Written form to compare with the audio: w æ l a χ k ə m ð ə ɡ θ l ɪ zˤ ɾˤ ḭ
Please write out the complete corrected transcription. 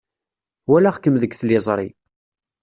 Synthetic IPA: w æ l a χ k ə m ð ə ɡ θ l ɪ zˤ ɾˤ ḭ